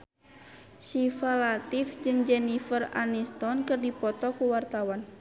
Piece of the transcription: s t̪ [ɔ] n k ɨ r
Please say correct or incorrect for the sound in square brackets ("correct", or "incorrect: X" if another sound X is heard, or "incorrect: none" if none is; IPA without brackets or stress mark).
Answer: correct